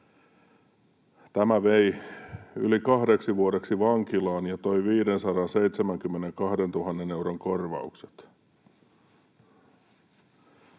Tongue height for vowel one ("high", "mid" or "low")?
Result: low